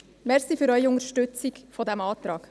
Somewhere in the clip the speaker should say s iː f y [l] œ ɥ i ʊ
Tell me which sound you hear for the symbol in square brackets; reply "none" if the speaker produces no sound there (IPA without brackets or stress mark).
ɾ